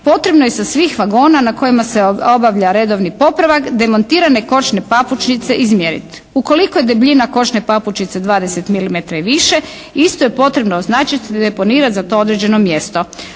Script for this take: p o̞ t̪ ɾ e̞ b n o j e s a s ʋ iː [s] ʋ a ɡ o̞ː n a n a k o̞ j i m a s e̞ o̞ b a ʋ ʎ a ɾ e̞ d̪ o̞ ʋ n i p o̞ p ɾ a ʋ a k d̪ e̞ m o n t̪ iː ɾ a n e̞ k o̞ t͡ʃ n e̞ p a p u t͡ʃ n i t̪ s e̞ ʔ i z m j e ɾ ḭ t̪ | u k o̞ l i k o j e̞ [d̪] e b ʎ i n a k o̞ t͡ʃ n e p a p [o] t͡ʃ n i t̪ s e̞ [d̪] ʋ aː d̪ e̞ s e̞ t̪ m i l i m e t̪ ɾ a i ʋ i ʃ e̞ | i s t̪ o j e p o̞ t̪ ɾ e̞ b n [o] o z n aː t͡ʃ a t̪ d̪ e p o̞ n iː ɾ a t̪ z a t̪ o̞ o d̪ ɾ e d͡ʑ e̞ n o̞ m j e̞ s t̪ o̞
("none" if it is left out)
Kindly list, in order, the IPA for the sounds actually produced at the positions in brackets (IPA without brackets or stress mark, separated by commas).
x, d̪, u, d̪, o